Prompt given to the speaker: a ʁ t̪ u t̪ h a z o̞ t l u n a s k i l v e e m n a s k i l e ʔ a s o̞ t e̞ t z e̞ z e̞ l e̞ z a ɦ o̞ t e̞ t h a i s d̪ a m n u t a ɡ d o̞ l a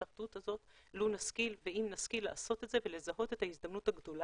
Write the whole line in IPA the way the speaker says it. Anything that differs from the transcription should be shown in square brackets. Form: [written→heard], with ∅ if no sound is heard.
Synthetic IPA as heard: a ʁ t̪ u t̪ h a z o̞ t l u n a s k i l v e [e→i] m n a s k i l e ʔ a s o̞ t e̞ t z e̞ [z→v] e̞ l e̞ z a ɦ o̞ t e̞ t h a i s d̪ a m n u t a ɡ d o̞ l a